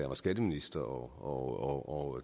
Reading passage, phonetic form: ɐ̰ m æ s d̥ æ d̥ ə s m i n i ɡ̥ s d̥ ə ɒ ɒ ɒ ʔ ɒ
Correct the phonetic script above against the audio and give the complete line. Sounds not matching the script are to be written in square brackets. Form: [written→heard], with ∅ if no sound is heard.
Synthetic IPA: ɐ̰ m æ s [d̥→ɡ̥] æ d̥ ə [s→∅] m i n i [ɡ̥→∅] s d̥ [ə→ɐ] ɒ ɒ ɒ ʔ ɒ